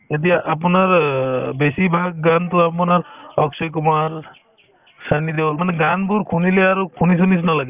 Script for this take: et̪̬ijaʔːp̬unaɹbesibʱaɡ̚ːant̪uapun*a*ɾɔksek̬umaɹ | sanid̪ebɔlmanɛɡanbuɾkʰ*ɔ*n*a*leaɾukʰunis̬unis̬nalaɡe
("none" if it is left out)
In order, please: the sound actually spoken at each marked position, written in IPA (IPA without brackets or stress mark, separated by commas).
a, u, i